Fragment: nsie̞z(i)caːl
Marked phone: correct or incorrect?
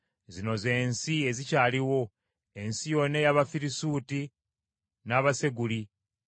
correct